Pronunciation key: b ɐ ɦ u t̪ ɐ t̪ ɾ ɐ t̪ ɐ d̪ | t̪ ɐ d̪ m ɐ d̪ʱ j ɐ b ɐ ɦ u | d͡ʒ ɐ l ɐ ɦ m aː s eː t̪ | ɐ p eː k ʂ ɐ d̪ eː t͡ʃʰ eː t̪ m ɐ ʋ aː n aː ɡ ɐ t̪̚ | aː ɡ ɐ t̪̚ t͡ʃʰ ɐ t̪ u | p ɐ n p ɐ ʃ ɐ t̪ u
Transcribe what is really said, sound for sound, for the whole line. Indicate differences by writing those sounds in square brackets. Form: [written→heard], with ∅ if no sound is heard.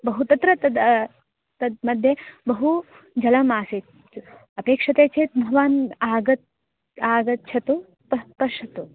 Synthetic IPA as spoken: b ɐ ɦ u t̪ ɐ t̪ ɾ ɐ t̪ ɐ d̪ | t̪ ɐ d̪ m ɐ d̪ʱ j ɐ b ɐ ɦ u | d͡ʒ ɐ l ɐ [ɦ→∅] m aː s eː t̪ | ɐ p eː k ʂ ɐ [d̪→t̪] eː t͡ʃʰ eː t̪ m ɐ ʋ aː n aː ɡ ɐ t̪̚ | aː ɡ ɐ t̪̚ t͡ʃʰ ɐ t̪ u | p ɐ [n→∅] p ɐ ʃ ɐ t̪ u